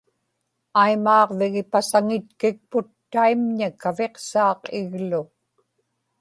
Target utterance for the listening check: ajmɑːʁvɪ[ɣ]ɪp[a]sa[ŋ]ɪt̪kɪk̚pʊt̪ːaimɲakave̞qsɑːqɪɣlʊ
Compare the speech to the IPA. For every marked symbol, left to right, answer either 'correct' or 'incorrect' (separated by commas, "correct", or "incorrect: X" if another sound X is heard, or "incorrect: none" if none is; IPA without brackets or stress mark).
correct, correct, correct